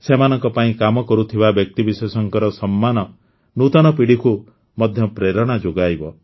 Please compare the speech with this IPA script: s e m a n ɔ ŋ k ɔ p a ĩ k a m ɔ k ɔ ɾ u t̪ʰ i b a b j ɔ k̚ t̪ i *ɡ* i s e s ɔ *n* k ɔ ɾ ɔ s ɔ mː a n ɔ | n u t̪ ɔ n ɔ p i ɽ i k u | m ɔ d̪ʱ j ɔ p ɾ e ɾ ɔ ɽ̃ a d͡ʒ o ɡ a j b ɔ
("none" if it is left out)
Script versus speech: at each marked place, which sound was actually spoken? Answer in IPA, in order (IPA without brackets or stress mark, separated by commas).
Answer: b, ŋ